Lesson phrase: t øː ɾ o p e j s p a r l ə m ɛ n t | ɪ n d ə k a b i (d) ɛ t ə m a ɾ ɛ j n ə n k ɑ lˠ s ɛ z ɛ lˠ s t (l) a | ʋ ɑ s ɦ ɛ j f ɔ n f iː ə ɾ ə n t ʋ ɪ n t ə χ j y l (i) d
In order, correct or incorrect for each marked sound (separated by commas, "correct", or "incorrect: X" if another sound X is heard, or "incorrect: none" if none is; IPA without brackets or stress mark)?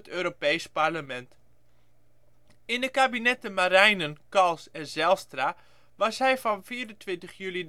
incorrect: n, incorrect: r, correct